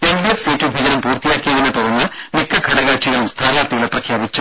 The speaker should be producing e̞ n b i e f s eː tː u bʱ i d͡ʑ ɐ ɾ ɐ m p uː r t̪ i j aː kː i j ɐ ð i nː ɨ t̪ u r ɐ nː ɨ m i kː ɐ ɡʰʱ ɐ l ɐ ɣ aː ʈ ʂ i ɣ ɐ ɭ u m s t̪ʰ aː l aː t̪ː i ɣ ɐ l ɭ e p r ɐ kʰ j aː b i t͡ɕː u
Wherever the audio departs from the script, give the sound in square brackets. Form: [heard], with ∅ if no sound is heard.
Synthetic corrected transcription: e̞ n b i e f s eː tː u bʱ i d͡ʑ ɐ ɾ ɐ m p uː r t̪ i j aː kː i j ɐ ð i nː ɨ t̪ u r ɐ nː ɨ m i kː ɐ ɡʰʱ ɐ [ɽ] ɐ ɣ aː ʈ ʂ i ɣ ɐ ɭ u m s t̪ʰ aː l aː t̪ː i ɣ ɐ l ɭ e p r ɐ kʰ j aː b i t͡ɕː u